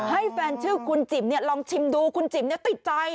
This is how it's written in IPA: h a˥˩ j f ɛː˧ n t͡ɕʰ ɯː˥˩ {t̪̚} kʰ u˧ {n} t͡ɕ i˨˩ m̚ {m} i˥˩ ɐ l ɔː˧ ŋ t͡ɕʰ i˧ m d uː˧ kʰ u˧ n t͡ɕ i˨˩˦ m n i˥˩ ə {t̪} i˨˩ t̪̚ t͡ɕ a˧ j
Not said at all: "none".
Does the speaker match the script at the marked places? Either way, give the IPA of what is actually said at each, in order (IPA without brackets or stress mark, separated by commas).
none, n, n, t̪